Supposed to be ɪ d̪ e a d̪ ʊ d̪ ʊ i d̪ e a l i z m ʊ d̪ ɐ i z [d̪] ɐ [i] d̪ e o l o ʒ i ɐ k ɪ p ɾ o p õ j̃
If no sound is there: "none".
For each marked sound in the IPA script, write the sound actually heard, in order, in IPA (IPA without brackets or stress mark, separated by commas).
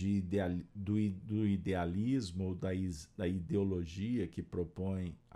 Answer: d̪, i